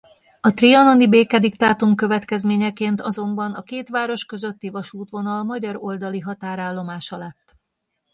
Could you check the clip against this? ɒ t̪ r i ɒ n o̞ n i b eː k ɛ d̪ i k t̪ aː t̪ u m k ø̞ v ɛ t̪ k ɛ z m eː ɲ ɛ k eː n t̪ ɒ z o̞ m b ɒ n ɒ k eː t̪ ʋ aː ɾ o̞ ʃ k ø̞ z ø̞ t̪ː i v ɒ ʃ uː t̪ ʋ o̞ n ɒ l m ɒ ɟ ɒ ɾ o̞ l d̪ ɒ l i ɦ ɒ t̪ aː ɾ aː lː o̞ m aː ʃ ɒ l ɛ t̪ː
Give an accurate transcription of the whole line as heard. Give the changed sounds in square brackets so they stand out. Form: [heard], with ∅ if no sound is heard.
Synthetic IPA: ɒ t̪ r i ɒ n o̞ n i b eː k ɛ d̪ i k t̪ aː t̪ u m k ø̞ v ɛ t̪ k ɛ z m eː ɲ ɛ k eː n t̪ ɒ z o̞ m b ɒ n ɒ k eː t̪ ʋ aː ɾ o̞ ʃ k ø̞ z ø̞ t̪ː i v ɒ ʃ uː t̪ ʋ o̞ n ɒ l m ɒ ɟ ɒ ɾ o̞ l d̪ ɒ l i ɦ ɒ t̪ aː ɾ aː lː o̞ m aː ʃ ɒ l ɛ t̪ː